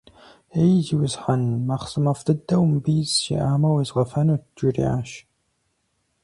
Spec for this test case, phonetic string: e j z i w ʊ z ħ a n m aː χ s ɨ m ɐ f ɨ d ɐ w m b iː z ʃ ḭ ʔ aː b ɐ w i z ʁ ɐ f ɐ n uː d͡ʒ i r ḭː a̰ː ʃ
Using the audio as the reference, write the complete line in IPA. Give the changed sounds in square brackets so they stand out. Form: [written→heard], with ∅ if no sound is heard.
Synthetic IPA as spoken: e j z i w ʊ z ħ a n m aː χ s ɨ m ɐ f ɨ d ɐ w m b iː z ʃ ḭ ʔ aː [b→m] ɐ w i z ʁ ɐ f ɐ n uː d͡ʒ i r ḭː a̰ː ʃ